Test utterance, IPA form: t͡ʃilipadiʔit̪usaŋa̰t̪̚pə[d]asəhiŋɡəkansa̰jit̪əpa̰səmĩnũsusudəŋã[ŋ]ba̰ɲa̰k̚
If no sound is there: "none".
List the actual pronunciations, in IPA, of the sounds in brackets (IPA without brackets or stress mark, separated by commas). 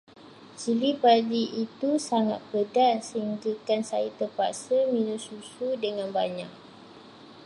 d, n